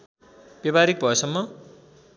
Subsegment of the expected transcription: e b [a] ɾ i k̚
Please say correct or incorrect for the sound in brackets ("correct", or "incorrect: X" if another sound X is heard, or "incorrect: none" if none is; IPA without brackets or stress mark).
correct